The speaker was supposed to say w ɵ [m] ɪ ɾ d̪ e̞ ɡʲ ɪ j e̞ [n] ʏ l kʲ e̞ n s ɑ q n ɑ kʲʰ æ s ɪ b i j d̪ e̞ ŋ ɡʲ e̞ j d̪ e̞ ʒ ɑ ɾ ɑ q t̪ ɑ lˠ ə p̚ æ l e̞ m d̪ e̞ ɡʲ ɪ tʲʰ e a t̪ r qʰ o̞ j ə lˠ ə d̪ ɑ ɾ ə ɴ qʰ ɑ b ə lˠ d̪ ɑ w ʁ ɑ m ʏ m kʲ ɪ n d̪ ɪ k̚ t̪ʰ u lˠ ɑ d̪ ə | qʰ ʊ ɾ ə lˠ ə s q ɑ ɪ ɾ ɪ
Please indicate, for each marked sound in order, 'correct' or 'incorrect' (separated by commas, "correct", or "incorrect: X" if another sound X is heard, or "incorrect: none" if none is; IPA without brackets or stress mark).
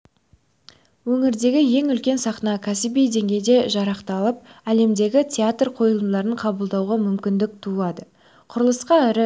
incorrect: ŋ, incorrect: ŋ